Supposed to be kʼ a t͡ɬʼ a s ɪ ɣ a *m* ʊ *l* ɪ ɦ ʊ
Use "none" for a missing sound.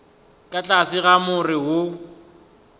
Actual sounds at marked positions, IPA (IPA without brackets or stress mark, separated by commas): m, r